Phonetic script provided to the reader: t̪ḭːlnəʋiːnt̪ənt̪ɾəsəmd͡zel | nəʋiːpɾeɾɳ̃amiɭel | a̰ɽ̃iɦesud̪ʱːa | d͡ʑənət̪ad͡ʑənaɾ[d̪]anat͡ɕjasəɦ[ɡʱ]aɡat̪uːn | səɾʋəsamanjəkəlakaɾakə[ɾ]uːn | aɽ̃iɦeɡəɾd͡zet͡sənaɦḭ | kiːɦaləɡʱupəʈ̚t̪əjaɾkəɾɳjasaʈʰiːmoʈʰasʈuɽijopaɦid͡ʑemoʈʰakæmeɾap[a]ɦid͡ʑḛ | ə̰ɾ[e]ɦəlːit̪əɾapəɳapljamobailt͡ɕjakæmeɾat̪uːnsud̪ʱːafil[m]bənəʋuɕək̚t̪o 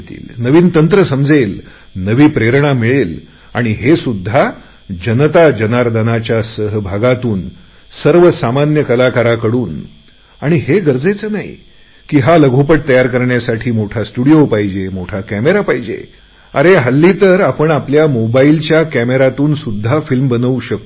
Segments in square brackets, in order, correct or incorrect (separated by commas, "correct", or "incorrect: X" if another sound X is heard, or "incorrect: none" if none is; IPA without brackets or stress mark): correct, incorrect: bʱ, incorrect: ɽ, correct, correct, correct